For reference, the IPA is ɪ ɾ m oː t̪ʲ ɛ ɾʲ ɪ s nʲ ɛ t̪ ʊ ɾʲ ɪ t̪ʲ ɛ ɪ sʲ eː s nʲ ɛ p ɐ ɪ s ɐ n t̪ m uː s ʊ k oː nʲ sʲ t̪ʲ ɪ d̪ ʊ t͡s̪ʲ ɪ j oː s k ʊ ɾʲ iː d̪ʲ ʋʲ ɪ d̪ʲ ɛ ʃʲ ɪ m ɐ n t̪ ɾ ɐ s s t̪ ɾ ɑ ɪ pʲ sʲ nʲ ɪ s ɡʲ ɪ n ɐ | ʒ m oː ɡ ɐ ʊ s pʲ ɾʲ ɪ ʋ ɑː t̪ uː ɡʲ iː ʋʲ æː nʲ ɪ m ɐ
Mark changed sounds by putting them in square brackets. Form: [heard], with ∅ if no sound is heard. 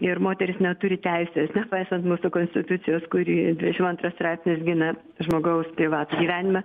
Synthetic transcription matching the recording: ɪ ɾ m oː t̪ʲ ɛ ɾʲ ɪ s nʲ ɛ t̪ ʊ ɾʲ ɪ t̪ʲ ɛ ɪ sʲ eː s nʲ ɛ p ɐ ɪ s ɐ n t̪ m uː s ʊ k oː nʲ sʲ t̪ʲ ɪ [t̪] ʊ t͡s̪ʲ ɪ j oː s k ʊ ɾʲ iː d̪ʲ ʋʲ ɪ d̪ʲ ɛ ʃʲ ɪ m ɐ n t̪ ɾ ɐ s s t̪ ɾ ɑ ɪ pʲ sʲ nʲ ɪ s ɡʲ ɪ n ɐ | ʒ m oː ɡ ɐ ʊ s pʲ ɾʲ ɪ ʋ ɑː t̪ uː ɡʲ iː ʋʲ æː nʲ ɪ m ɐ